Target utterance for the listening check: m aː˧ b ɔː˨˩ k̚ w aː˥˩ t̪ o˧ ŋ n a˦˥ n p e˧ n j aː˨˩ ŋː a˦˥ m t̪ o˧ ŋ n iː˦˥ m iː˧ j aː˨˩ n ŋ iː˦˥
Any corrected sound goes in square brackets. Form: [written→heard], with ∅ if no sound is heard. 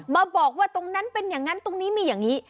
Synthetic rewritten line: m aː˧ b ɔː˨˩ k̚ w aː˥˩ t̪ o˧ ŋ n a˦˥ n p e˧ n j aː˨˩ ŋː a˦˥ [m→n] t̪ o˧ ŋ n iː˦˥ m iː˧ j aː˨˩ [n→ŋ] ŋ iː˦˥